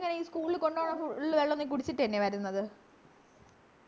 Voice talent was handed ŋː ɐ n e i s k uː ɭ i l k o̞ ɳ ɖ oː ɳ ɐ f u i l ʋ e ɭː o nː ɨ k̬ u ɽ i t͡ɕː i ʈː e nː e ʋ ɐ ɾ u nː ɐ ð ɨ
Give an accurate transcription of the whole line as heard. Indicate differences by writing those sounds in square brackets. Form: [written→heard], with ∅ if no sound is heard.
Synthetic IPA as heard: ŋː ɐ n e [i→iː] s k uː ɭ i l k o̞ ɳ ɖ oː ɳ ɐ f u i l ʋ e ɭː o nː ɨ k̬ u ɽ i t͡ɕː i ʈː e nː e ʋ ɐ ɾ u nː ɐ ð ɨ